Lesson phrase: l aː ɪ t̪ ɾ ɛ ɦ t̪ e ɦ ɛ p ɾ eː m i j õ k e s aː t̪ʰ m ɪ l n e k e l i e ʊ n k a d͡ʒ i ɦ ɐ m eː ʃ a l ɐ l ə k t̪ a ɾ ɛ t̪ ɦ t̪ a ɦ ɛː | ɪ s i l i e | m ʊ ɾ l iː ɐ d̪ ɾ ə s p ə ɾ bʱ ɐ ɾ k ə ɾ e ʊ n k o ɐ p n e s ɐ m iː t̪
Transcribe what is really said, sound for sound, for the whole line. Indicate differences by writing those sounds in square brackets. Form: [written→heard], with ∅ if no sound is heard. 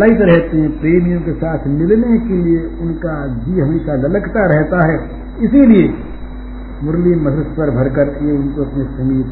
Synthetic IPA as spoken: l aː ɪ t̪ ɾ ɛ ɦ t̪ e ɦ [ɛ→ɛ̃] p ɾ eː m i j õ k e s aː t̪ʰ m ɪ l n e k e l i e ʊ n k a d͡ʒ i ɦ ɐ m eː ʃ a l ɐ l ə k t̪ a ɾ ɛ [t̪→∅] ɦ t̪ a ɦ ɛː | ɪ s i l i e | m ʊ ɾ l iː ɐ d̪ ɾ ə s p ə ɾ bʱ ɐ ɾ k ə ɾ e ʊ n k o ɐ p n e s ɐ m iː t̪